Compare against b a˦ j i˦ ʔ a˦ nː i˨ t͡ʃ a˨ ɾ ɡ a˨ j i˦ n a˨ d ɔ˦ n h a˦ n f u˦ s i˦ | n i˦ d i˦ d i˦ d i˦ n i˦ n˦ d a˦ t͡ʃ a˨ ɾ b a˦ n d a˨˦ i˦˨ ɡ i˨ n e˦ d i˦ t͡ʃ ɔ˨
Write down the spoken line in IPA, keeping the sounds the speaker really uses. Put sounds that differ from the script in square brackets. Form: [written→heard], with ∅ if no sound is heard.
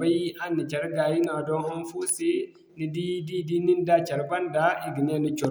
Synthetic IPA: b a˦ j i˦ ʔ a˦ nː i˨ t͡ʃ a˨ ɾ ɡ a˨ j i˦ n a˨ d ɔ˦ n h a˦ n f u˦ s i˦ | n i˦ d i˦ d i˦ d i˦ n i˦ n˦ d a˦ t͡ʃ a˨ ɾ b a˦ n d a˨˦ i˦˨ ɡ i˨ n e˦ [d→n] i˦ t͡ʃ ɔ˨